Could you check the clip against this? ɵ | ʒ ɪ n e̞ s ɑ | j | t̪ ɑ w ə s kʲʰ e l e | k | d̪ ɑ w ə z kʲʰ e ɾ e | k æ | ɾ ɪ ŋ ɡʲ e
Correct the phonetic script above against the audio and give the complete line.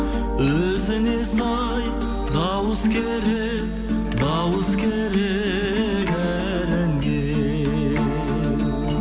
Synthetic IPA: ɵ | z ɪ n e̞ s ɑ | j | d̪ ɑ w ə s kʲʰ e ɾ e | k | d̪ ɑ w ə s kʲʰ e ɾ e | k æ | ɾ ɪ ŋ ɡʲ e